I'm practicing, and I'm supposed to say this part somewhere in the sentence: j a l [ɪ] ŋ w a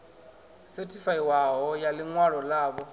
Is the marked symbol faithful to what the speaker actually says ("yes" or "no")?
yes